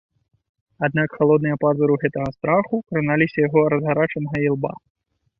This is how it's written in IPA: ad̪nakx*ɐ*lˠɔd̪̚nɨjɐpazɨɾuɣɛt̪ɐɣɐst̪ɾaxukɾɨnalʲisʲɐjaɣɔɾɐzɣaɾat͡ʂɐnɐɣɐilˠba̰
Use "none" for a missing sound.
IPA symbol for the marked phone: a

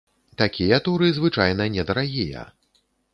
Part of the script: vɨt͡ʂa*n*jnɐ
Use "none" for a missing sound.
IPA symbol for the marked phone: none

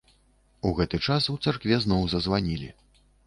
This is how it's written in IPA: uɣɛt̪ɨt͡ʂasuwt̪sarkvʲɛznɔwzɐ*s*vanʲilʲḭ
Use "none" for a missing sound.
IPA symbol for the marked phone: z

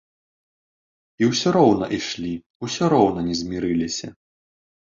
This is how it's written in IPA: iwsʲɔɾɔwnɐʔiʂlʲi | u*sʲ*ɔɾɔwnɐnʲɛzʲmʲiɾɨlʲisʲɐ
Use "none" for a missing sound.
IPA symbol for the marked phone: sʲ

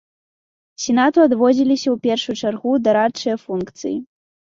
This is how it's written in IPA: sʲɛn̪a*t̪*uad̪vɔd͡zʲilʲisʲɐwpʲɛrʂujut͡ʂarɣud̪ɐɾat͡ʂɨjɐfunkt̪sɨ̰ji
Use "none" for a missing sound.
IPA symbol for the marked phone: t̪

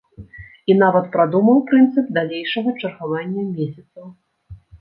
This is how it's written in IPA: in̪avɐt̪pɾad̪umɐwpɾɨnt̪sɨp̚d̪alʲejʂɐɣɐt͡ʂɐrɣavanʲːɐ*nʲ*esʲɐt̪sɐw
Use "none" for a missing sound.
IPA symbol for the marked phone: mʲ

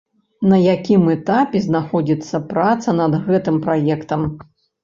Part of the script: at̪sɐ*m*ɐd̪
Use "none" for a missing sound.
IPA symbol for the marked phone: n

